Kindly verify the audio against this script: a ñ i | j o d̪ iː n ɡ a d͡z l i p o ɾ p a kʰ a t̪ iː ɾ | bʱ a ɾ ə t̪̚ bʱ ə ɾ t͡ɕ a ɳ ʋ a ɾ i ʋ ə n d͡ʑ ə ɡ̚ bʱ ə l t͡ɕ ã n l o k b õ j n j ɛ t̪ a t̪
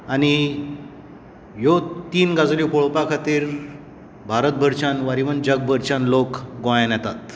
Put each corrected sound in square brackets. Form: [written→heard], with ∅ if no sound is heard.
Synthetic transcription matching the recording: a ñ i | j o [d̪→t̪] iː n ɡ a d͡z l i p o [ɾ→ɭ] p a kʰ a t̪ iː ɾ | bʱ a ɾ ə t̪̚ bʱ ə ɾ t͡ɕ a [ɳ→n] ʋ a ɾ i ʋ ə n d͡ʑ ə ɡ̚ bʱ ə [l→ɾ] t͡ɕ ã n l o k [b→ɡ] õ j n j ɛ t̪ a t̪